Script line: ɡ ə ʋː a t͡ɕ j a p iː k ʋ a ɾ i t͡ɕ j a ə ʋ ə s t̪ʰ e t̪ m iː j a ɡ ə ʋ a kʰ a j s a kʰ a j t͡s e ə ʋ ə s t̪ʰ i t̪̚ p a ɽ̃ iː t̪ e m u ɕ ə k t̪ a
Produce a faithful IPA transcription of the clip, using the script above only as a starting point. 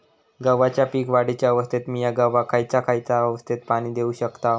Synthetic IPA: ɡ ə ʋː a t͡ɕ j a p iː k ʋ a ɽ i t͡ɕ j a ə ʋ ə s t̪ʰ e t̪ m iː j a ɡ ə ʋ a kʰ a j t͡s a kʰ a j t͡s a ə ʋ ə s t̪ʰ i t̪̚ p a ɽ̃ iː d̪ e u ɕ ə k t̪ a